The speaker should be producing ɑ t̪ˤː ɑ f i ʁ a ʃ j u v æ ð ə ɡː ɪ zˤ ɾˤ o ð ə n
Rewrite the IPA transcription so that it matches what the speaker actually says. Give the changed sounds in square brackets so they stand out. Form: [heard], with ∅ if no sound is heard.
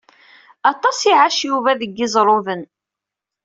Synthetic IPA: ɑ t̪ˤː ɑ [s] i [ʕ] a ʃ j u v æ ð ə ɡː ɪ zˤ ɾˤ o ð ə n